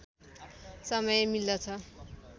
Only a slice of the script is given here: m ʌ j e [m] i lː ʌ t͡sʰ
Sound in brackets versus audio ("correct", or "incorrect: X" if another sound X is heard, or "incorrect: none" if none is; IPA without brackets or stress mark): correct